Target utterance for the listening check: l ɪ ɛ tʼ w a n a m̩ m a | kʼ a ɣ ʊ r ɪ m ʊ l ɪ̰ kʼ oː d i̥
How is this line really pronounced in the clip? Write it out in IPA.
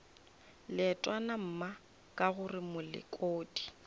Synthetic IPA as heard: l ɪ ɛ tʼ w a n a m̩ m a | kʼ a ɣ ʊ r ɪ m ʊ l ɪ̰ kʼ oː d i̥

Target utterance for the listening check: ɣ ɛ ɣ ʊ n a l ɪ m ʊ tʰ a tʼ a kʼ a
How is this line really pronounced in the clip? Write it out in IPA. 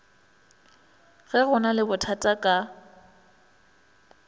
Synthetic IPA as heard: ɣ ɛ ɣ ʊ n a l ɪ b ʊ tʰ a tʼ a kʼ a

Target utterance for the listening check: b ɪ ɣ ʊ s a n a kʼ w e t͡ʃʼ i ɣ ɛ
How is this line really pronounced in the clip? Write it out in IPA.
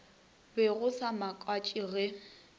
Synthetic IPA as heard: b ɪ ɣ ʊ s a m a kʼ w a t͡ʃʼ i ɣ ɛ

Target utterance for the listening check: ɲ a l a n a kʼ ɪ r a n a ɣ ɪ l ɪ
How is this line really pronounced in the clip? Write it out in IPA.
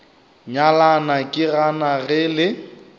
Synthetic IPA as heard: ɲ a l a n a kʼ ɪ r a n a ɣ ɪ l ɪ

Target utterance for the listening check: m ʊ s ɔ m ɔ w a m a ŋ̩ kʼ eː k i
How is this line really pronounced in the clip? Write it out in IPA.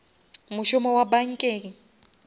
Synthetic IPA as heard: m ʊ ʃ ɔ m ɔ w a b a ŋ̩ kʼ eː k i

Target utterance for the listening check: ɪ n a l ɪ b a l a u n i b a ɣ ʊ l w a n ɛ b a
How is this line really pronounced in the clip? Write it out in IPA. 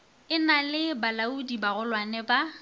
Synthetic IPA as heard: ɪ n a l ɪ b a l a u d i b a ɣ ʊ l w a n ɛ b a

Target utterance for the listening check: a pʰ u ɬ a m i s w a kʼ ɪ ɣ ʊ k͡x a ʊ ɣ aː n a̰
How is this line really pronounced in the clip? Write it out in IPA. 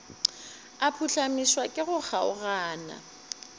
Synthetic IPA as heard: a pʰ u ɬ a m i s w a kʼ ɪ ɣ ʊ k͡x a ʊ ɣ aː n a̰

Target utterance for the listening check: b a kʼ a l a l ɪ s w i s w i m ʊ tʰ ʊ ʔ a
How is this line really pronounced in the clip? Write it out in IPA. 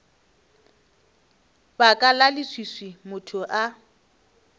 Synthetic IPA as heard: b a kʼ a l a l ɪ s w i s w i m ʊ tʰ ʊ ʔ a

